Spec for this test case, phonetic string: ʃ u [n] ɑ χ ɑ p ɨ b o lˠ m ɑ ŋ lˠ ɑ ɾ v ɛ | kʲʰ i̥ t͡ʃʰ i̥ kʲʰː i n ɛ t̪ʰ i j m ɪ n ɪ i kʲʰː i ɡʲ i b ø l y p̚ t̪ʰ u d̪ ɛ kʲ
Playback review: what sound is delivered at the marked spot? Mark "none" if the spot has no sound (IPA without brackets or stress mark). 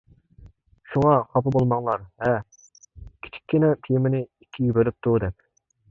ŋ